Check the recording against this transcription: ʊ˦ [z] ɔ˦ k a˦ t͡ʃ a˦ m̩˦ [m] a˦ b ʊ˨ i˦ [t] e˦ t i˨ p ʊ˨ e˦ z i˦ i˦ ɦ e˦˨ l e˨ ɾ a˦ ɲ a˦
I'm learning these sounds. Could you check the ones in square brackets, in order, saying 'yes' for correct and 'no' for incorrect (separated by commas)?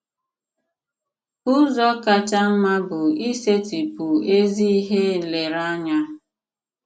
yes, yes, no